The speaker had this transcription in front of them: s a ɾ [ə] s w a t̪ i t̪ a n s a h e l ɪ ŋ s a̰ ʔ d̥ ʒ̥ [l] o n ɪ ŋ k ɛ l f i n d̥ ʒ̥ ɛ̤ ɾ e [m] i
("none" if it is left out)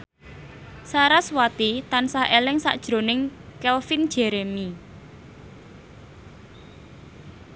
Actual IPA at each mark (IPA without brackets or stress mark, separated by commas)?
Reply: a, ɾ, m